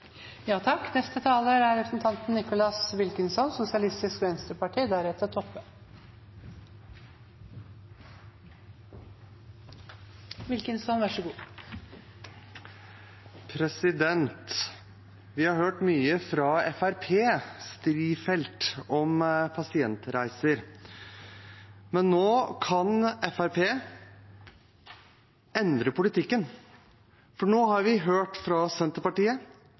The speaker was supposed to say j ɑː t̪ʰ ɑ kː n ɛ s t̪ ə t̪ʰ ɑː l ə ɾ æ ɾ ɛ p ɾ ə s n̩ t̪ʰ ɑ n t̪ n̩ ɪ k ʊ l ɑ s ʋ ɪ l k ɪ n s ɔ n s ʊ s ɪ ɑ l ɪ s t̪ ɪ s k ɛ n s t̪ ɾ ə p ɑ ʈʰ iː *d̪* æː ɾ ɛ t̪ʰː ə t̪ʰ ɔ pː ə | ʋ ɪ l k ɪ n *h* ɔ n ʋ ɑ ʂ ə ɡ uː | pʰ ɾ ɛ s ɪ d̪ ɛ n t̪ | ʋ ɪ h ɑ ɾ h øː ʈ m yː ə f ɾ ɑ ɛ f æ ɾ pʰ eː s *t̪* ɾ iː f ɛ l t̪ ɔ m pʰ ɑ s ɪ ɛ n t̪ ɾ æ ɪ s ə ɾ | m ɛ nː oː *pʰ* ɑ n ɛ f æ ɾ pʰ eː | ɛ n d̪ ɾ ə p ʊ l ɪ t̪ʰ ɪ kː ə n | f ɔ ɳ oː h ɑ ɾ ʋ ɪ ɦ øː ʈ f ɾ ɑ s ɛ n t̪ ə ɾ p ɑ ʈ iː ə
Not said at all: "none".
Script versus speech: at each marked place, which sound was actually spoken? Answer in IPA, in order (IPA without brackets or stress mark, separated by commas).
d̪, s, t̪, kʰ